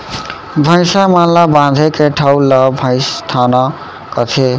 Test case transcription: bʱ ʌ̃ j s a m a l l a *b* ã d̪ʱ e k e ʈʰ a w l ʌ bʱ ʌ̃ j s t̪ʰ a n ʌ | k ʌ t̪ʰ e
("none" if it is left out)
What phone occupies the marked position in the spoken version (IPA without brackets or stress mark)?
b